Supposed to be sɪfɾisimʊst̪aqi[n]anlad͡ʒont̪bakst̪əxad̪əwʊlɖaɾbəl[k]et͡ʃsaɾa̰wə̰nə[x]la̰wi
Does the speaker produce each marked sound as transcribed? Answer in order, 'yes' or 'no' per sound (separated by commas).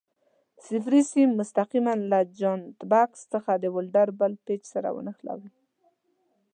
no, no, yes